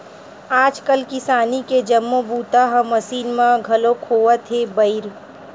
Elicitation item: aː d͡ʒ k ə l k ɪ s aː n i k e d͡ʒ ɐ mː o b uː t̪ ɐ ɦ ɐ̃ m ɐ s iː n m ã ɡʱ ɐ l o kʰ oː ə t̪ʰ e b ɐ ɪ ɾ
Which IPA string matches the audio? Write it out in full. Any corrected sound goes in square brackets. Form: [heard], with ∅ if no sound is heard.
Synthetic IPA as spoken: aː d͡ʒ k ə l k ɪ s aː n i k e d͡ʒ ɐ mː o b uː t̪ [a] ɦ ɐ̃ m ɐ s iː n m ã ɡʱ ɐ l o kʰ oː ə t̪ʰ e b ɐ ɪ ɾ

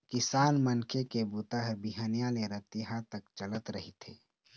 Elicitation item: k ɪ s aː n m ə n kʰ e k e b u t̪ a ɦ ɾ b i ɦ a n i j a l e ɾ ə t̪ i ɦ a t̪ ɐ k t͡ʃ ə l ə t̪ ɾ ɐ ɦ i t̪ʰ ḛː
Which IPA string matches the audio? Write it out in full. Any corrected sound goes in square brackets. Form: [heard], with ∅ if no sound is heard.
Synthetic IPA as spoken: k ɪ s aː n m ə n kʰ e k e b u t̪ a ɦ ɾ b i ɦ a n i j a l e ɾ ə t̪ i ɦ a t̪ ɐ k t͡ʃ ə l ə t̪ ɾ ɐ ɦ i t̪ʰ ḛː

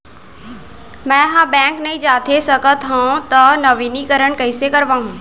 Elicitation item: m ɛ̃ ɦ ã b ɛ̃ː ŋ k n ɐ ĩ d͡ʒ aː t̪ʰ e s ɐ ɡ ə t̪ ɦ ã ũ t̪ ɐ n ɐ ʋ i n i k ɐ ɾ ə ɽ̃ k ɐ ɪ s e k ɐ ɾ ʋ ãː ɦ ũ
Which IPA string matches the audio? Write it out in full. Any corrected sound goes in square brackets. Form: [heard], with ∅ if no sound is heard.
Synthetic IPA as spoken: m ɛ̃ ɦ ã b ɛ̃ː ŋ k n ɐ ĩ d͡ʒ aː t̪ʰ e s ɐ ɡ ə t̪ ɦ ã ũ t̪ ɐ n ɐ ʋ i n i k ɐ ɾ ə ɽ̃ k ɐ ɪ s e k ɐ ɾ ʋ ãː ɦ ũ

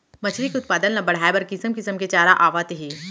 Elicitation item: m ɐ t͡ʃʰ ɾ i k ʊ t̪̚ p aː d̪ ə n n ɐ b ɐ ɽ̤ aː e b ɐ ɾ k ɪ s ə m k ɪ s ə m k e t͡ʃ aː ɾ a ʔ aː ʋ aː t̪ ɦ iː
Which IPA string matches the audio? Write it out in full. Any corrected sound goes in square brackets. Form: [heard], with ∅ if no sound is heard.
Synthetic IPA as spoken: m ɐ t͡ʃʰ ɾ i k ʊ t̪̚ p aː d̪ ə n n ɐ b ɐ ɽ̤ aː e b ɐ ɾ k ɪ s ə m k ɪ s ə m k e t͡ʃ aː ɾ a ʔ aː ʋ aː t̪ ɦ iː

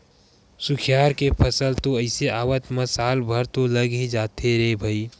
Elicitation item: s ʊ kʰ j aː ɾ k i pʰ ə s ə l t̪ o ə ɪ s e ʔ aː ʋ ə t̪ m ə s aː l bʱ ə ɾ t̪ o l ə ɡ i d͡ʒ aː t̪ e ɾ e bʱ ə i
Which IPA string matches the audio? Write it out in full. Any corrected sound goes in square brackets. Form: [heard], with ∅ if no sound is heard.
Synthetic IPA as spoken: s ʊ kʰ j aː ɾ k [e] pʰ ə s ə l t̪ o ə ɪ s e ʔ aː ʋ ə t̪ m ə s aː l bʱ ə ɾ t̪ o l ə ɡ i d͡ʒ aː t̪ e ɾ e bʱ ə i

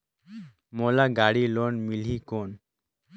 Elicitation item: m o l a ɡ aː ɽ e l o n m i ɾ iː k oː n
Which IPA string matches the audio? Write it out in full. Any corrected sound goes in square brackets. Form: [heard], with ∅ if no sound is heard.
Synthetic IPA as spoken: m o l a ɡ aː ɽ [i] l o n m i [l] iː k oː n

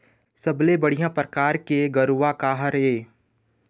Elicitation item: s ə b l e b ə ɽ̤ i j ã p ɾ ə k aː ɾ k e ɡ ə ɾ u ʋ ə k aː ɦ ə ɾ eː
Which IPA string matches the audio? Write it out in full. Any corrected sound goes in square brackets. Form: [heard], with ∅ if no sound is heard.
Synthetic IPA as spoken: s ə b l e b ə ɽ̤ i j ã p ɾ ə k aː ɾ k e ɡ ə ɾ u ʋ [a] k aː ɦ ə ɾ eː

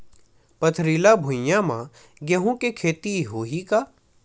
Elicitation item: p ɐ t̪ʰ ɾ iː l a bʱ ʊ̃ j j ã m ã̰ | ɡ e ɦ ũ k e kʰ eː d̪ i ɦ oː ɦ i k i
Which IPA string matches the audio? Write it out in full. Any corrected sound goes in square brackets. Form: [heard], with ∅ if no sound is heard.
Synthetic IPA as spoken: p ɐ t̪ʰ ɾ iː l a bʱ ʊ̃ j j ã m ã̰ | ɡ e ɦ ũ k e kʰ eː [t̪] i ɦ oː ɦ i k [a]

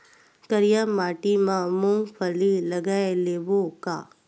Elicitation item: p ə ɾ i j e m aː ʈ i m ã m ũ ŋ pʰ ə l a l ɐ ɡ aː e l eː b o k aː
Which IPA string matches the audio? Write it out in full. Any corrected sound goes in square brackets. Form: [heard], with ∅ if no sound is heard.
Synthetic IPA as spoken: [k] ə ɾ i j [a] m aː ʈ i m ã m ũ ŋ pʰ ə l [i] l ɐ ɡ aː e l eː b o k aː

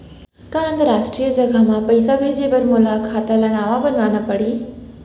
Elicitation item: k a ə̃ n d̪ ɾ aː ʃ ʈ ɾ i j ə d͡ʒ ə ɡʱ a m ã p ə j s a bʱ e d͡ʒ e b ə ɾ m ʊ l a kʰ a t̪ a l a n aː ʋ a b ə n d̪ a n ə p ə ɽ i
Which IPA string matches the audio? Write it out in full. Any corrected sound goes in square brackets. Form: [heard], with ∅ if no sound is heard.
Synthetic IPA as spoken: k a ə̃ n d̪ ɾ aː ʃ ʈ ɾ i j ə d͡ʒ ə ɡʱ a m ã p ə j s a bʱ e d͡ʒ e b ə ɾ m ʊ l a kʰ a t̪ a l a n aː ʋ a b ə n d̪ a n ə p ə ɽ i

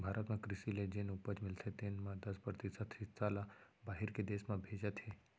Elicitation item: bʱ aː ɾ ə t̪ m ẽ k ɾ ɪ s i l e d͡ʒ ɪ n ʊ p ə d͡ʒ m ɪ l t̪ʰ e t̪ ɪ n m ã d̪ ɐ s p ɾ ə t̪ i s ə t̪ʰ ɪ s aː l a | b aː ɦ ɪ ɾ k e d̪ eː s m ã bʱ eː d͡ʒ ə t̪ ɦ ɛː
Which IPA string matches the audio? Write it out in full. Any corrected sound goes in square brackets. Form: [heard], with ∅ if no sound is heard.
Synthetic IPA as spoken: bʱ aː ɾ ə t̪ m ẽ k ɾ ɪ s i l e d͡ʒ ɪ n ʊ p ə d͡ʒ m ɪ l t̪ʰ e t̪ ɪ n m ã d̪ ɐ s p ɾ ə t̪ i s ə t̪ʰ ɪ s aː l a | b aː ɦ ɪ ɾ k e d̪ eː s m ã bʱ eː d͡ʒ ə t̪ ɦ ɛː

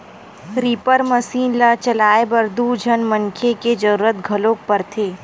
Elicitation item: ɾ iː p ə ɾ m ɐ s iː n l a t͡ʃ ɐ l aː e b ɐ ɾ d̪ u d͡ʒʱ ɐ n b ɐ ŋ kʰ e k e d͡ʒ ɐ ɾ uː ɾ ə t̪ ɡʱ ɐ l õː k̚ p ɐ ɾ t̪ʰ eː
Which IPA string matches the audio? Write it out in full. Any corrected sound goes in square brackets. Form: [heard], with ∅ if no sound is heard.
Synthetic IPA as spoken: ɾ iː p ə ɾ m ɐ s iː n l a t͡ʃ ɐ l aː e b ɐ ɾ d̪ u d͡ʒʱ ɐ n [m] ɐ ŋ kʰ e k e d͡ʒ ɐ ɾ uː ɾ ə t̪ ɡʱ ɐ l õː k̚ p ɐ ɾ t̪ʰ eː

